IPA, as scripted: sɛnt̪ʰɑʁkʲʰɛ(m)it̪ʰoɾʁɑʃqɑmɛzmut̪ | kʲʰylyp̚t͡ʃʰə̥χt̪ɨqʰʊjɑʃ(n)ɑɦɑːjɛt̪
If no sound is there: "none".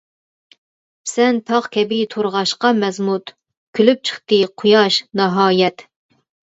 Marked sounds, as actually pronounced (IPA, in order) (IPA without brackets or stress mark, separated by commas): b, n